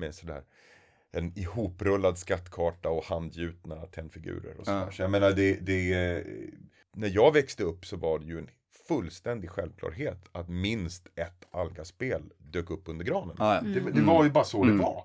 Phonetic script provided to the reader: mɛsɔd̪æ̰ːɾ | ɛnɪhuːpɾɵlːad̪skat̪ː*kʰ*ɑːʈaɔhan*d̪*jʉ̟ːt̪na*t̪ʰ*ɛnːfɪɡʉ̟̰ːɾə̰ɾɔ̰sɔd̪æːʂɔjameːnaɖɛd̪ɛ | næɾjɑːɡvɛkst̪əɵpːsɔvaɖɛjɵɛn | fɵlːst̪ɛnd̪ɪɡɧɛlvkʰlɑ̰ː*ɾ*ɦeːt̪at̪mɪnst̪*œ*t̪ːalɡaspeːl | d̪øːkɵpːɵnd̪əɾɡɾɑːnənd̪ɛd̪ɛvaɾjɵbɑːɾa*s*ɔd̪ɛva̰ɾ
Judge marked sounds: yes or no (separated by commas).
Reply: yes, yes, yes, yes, no, yes